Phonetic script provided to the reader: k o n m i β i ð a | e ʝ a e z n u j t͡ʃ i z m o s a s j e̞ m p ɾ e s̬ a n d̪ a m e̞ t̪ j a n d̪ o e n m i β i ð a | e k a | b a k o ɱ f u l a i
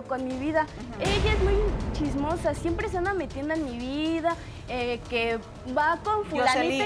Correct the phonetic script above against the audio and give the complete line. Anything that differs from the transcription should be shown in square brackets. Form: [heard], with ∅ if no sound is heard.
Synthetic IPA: k o n m i β i ð a | e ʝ a e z [m] u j t͡ʃ i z m o s a s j e̞ m p ɾ e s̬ a n d̪ a m e̞ t̪ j [e] n d̪ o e n m i β i ð a | e k [e] | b a k o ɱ f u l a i